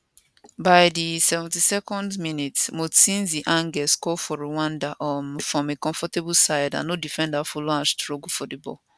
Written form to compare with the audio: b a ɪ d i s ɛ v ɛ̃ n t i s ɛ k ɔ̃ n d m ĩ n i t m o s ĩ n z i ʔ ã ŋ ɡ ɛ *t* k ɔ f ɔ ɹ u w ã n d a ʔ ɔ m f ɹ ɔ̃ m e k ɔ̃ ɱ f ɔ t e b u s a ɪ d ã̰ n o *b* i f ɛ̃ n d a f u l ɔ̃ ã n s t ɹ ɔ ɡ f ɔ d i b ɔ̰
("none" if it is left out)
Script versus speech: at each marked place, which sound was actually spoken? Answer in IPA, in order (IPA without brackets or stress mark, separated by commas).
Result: s, d